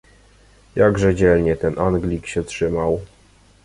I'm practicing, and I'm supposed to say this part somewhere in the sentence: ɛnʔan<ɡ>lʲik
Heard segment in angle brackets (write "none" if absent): ɡ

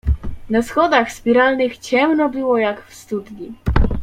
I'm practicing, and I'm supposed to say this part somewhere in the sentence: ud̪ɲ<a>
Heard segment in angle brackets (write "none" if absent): i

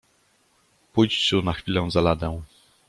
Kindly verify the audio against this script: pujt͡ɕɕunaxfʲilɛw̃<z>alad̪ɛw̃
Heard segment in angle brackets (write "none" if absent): z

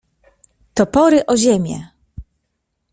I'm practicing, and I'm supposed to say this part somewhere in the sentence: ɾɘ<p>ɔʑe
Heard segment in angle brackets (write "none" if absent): ʔ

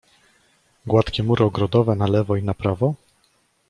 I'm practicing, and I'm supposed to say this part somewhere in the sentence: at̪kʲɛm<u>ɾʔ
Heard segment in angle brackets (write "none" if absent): u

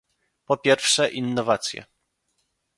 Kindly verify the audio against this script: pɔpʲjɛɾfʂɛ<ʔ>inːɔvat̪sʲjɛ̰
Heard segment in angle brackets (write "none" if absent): ʔ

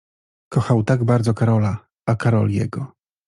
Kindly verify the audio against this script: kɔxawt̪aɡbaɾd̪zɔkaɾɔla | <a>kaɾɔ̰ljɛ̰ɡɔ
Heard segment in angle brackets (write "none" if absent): a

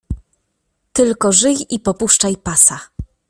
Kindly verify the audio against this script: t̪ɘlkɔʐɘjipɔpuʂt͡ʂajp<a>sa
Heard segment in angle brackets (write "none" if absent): a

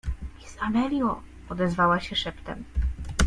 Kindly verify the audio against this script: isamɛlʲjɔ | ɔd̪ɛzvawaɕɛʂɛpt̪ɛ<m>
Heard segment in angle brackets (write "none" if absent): m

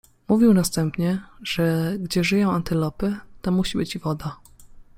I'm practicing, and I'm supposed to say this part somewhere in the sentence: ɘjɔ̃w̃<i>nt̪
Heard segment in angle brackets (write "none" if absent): a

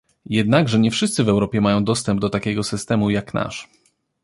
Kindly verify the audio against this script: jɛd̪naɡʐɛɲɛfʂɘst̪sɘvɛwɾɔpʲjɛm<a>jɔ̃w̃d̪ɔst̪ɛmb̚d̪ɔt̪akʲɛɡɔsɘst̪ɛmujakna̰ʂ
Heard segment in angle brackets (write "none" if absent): a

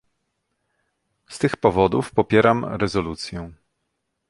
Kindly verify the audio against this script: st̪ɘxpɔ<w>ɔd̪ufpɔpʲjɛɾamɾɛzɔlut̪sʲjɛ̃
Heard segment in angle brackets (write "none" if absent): v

